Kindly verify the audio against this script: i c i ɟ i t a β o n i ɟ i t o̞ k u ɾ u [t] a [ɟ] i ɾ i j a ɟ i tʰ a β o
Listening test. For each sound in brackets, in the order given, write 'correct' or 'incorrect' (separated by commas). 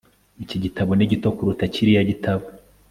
correct, incorrect